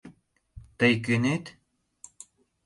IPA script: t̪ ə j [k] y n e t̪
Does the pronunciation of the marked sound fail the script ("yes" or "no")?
no